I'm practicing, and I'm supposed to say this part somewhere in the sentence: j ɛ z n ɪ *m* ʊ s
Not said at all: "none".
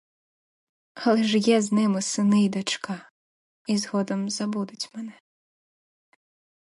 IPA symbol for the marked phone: m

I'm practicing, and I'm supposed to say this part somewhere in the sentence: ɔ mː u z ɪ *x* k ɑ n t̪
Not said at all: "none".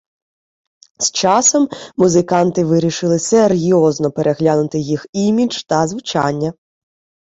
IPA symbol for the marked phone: none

